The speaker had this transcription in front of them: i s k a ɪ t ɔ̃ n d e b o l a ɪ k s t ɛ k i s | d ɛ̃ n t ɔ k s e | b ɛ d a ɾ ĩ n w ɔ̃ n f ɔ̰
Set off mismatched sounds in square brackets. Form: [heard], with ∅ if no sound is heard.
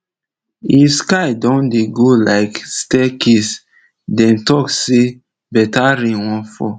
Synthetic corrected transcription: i s k a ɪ [d] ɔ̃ n d e [ɡ] o l a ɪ k s t ɛ k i s | d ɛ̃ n t ɔ k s e | b ɛ [t] a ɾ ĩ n w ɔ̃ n f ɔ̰

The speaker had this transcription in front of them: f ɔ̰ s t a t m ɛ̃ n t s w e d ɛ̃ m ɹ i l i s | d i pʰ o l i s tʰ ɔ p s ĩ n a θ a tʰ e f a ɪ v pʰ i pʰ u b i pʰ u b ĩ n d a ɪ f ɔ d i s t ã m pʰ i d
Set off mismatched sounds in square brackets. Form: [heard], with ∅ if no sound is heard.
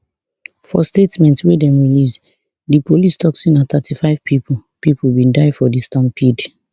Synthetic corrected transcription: f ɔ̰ s t [e] t m ɛ̃ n t s w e d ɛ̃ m ɹ i l i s | d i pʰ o l i s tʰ ɔ [k] s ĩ n a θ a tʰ [i] f a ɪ v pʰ i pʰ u [p] i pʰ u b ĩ n d a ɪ f ɔ d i s t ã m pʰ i d

